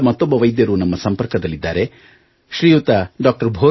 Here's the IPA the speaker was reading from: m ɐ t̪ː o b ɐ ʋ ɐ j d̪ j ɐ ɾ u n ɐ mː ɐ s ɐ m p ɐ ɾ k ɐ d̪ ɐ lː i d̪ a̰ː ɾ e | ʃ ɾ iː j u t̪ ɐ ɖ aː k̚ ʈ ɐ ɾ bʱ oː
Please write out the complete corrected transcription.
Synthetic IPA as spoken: m ɐ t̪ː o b ɐ ʋ ɐ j d̪ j ɐ ɾ u n ɐ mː ɐ s ɐ m p ɐ ɾ k ɐ d̪ ɐ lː i d̪ː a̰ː ɾ e | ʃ ɾ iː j u t̪ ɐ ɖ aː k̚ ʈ ɐ ɾ bʱ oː